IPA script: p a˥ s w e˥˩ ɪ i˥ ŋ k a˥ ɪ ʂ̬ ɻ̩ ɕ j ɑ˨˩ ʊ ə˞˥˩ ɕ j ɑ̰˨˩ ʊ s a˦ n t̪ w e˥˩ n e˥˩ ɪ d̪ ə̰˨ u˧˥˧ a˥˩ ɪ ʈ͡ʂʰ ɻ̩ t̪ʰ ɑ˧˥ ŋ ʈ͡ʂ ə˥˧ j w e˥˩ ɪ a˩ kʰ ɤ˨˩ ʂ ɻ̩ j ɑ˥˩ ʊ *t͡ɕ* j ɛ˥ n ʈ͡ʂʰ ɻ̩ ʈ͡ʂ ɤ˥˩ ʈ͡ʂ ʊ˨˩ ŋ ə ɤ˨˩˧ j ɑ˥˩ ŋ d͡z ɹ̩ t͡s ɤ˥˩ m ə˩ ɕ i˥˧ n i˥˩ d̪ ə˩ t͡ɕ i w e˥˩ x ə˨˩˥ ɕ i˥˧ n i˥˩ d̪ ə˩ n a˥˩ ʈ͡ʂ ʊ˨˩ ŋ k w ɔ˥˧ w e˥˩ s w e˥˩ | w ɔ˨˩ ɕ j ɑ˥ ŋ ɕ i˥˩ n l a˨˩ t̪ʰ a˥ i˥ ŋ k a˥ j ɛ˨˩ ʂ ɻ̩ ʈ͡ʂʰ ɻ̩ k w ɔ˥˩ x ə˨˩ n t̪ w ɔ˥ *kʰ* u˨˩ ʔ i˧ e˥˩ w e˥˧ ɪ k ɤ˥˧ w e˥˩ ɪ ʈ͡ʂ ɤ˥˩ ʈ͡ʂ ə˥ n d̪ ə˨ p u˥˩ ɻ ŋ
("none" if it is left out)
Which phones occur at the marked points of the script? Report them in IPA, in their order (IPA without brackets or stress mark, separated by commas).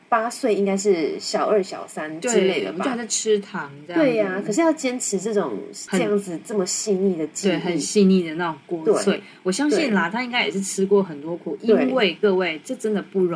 t͡ɕ, kʰ